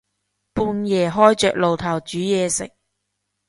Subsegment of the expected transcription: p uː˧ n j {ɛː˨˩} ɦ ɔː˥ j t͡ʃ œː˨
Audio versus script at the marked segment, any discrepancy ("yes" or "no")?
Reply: no